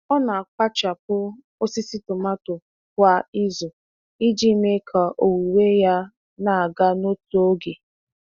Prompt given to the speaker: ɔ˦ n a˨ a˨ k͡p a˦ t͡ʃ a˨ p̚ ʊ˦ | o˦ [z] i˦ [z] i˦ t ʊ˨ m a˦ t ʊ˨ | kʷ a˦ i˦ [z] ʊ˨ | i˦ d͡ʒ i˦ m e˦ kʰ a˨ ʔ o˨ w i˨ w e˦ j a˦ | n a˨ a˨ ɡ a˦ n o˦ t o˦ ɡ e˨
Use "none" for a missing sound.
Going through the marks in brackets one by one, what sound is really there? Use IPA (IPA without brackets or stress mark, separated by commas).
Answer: s, s, z